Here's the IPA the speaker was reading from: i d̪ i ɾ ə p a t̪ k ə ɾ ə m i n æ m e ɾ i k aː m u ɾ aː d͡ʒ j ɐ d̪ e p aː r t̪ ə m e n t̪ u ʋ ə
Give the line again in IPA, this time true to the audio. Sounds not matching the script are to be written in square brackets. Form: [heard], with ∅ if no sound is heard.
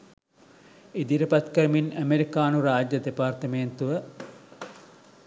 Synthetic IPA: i d̪ i ɾ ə p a t̪ k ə ɾ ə m i n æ m e ɾ i k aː [n] u ɾ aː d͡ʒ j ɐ d̪ e p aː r t̪ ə m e n t̪ u ʋ ə